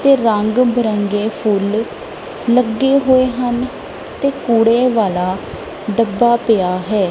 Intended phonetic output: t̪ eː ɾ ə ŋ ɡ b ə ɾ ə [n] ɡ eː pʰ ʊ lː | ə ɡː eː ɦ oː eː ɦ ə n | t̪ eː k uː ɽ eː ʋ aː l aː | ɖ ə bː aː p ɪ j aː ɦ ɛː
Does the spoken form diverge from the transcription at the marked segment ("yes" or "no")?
yes